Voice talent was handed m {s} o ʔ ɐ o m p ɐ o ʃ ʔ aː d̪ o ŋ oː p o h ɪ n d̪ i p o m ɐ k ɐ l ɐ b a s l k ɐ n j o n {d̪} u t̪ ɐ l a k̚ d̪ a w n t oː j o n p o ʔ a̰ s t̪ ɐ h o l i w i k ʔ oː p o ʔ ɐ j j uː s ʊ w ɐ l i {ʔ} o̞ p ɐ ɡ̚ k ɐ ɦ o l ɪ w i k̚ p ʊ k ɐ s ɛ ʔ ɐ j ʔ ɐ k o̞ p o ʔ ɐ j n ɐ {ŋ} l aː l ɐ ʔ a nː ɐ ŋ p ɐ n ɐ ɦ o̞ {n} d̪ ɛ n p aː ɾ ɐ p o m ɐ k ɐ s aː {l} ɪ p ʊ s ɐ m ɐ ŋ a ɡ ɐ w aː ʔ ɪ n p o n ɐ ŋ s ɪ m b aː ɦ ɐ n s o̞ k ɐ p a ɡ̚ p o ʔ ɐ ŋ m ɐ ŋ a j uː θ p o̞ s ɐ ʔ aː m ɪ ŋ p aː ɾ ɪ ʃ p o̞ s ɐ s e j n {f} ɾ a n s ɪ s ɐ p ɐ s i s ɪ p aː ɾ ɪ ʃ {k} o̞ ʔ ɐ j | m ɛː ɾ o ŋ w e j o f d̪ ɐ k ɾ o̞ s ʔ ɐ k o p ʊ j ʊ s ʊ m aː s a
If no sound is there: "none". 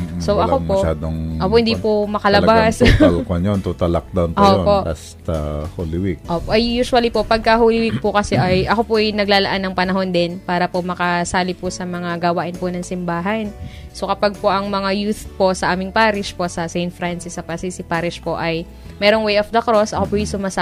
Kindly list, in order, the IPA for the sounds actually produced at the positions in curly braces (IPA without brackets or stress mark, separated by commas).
s, t̪, p, ɡ, n, l, f, p